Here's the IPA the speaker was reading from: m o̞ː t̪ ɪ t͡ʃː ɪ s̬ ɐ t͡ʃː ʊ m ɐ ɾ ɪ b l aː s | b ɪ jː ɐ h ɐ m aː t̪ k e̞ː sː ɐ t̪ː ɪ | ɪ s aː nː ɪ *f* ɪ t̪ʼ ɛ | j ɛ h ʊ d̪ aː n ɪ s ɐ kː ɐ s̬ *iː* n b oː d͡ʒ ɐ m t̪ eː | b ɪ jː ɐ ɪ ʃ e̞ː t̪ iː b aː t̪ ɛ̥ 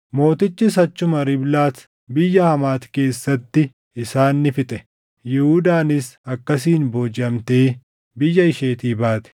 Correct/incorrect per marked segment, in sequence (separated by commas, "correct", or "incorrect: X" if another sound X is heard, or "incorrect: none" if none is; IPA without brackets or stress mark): correct, correct